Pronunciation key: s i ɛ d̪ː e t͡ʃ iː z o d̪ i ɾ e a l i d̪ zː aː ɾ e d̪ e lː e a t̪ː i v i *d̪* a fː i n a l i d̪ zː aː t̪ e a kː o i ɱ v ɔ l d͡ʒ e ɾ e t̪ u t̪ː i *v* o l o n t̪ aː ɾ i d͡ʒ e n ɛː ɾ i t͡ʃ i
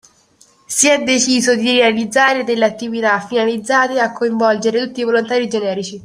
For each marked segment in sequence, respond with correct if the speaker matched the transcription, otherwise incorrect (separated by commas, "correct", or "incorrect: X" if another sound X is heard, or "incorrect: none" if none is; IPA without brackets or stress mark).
incorrect: t̪, correct